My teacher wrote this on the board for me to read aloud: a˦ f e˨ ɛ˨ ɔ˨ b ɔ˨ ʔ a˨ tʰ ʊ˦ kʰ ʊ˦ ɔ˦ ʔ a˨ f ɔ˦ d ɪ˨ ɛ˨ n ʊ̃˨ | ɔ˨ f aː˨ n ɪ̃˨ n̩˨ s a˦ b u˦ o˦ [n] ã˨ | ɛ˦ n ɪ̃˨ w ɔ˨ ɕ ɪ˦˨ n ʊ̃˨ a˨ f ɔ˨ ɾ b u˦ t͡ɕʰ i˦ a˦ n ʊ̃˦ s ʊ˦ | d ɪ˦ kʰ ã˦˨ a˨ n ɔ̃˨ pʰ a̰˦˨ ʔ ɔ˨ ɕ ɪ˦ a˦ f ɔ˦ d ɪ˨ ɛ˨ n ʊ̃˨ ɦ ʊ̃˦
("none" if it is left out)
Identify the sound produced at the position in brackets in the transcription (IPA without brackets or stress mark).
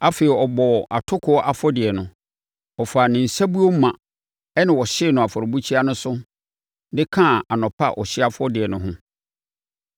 m